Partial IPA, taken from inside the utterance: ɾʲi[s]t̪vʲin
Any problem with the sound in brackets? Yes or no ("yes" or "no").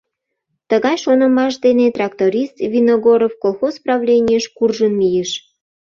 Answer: no